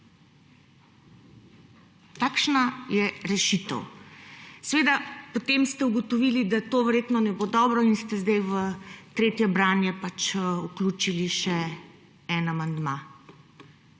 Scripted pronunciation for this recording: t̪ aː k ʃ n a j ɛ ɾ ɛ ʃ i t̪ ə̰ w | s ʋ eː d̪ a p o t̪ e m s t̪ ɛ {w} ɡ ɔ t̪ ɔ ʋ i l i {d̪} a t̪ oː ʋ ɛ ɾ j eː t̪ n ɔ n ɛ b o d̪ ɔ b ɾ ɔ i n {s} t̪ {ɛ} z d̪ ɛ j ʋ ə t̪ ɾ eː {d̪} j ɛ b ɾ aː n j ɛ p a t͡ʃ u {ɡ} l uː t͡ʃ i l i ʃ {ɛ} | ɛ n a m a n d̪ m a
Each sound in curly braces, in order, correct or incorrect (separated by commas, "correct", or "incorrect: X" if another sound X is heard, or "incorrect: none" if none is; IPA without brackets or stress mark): incorrect: u, correct, correct, correct, incorrect: t̪, incorrect: k, correct